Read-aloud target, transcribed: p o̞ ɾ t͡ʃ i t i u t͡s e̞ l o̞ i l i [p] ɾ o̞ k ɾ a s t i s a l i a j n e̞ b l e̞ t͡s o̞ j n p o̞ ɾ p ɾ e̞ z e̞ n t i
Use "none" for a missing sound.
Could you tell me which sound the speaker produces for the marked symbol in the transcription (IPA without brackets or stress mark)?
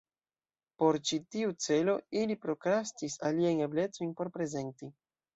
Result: p